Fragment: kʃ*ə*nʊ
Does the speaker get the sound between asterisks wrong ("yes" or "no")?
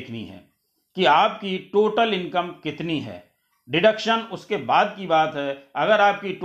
no